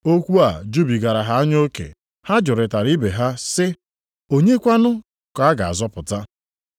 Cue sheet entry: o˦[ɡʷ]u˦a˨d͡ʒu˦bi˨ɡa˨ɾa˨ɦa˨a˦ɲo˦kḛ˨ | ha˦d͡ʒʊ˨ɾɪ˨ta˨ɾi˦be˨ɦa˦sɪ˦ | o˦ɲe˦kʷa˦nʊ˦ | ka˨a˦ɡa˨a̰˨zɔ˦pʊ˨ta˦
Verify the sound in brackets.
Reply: incorrect: kʷ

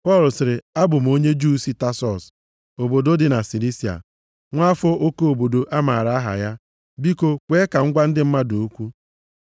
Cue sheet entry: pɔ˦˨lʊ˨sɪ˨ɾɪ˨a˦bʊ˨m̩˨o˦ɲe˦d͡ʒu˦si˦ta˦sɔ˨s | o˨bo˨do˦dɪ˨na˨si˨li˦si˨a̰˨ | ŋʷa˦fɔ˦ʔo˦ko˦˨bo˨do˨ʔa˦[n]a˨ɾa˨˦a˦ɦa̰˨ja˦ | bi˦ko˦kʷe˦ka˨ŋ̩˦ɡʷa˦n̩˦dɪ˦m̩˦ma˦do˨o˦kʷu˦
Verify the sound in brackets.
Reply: incorrect: m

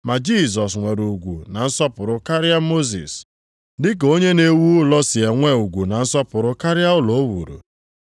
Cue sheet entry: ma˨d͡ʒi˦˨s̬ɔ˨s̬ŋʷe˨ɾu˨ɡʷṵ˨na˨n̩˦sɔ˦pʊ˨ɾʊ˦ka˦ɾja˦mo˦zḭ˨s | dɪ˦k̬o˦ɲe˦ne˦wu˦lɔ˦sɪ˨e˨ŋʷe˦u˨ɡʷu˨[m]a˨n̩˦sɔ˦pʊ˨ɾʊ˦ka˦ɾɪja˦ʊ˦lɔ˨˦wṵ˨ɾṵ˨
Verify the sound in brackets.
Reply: incorrect: n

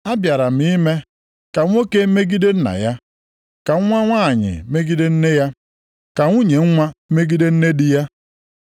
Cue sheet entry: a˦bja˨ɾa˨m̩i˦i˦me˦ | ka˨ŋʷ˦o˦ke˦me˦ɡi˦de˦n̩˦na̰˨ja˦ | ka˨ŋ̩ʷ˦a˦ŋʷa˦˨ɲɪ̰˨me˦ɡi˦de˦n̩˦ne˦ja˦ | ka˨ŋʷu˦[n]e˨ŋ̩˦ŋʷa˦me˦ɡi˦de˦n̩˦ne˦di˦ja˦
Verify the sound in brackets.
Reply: incorrect: ɲ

